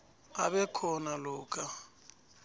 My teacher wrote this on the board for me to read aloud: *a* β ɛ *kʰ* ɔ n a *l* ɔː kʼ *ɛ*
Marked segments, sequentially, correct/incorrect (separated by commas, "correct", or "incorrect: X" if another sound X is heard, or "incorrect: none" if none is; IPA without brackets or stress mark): correct, correct, correct, incorrect: a